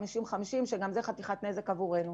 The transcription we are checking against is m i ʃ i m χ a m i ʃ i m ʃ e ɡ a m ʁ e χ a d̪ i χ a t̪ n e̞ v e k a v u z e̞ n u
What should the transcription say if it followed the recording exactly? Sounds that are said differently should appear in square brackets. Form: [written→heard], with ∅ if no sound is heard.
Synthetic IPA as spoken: m i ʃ i m χ a m i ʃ i m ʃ e ɡ a m [ʁ→z] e χ a [d̪→t̪] i χ a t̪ n e̞ [v→z] e k a v u [z→ʁ] e̞ n u